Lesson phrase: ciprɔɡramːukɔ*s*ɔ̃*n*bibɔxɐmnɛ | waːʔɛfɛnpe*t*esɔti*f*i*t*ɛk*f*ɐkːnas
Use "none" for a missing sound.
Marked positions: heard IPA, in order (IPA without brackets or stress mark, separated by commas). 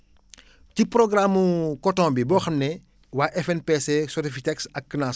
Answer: t, m, s, f, t, s